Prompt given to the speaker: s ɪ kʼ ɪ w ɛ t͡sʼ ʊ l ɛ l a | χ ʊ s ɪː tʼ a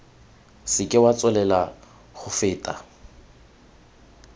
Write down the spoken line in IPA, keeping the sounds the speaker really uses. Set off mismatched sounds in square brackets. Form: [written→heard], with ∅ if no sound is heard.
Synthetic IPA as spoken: s ɪ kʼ ɪ w [ɛ→a] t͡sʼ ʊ l ɛ l a | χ ʊ [s→f] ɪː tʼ a